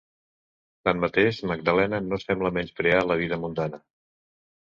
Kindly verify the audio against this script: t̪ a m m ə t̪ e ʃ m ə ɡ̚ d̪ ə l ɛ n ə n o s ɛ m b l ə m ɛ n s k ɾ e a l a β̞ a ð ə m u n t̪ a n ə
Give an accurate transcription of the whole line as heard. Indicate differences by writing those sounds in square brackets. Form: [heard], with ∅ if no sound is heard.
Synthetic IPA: t̪ a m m ə t̪ e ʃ m ə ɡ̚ d̪ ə l ɛ n ə n o s ɛ m b l ə m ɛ n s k ɾ e a l [ə] β̞ [i] ð ə m u n [d̪] a n ə